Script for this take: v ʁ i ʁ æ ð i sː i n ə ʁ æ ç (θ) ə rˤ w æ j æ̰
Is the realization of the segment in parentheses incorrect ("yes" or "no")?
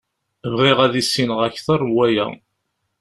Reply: no